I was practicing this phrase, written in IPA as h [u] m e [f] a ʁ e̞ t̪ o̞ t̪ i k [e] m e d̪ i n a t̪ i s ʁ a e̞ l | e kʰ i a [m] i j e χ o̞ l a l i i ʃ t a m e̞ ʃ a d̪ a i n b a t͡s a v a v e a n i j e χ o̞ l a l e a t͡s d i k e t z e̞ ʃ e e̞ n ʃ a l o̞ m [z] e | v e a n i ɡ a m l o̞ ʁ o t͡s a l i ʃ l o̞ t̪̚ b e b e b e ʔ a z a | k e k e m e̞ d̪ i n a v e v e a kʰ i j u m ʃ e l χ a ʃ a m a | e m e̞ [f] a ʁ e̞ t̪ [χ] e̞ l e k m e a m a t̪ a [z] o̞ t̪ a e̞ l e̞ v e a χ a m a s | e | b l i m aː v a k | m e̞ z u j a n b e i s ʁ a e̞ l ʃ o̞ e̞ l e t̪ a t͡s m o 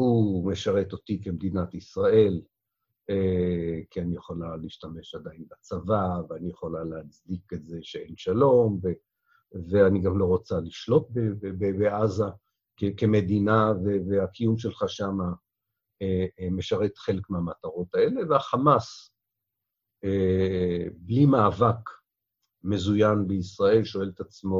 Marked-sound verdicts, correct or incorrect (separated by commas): correct, incorrect, correct, incorrect, incorrect, incorrect, correct, incorrect